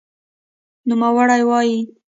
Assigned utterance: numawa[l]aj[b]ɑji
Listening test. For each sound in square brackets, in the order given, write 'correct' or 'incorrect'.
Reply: incorrect: ɽ, incorrect: w

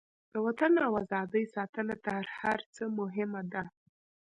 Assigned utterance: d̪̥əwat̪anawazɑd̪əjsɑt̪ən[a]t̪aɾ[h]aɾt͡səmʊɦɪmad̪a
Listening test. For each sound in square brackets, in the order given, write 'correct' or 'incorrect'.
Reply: correct, correct

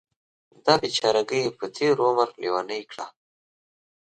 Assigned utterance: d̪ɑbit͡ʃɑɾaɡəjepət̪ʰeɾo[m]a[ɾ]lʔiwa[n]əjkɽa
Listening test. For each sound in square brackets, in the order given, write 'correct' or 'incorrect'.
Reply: correct, correct, correct

